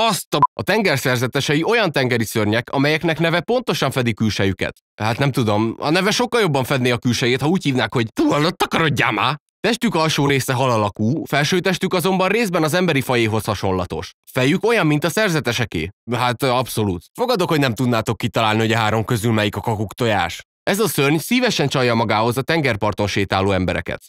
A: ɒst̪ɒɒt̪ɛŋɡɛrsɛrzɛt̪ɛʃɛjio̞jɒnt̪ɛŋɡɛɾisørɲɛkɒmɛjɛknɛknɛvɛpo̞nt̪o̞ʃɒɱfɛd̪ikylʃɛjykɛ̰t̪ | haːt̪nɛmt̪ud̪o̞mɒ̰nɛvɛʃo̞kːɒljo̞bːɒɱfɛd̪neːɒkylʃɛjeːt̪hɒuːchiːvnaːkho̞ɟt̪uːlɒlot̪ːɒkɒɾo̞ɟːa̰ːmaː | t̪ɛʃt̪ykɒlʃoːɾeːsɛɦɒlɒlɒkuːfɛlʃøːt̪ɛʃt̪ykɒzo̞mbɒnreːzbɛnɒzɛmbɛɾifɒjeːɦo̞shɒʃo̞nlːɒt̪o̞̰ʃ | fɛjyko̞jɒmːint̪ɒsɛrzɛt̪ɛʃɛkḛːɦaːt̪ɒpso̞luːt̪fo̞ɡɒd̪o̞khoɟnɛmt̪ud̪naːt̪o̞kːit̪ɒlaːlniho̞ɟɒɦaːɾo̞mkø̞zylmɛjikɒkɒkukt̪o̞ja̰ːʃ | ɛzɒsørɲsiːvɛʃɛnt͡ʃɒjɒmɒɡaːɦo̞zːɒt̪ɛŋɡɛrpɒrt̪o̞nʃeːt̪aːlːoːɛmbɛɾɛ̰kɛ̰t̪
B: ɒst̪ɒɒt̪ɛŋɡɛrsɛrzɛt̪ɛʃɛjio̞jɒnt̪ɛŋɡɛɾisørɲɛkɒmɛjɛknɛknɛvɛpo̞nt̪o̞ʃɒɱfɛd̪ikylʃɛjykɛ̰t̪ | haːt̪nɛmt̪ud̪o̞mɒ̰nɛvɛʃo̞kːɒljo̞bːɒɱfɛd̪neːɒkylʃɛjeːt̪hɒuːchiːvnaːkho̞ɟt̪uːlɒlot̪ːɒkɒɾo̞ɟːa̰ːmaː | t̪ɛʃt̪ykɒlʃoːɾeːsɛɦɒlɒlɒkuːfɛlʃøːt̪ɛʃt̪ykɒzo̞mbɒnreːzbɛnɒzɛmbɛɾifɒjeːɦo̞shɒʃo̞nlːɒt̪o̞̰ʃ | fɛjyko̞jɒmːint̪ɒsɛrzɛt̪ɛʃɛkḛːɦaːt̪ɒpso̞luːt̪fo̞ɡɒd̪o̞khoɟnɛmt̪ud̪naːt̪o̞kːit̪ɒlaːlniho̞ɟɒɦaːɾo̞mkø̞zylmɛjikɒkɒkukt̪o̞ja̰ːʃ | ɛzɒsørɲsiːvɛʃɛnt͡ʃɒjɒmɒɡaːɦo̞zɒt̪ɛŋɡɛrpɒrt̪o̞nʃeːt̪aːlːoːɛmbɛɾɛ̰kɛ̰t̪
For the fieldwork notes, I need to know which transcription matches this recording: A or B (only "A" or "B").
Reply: B